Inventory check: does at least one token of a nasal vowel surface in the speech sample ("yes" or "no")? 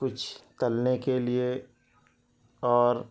no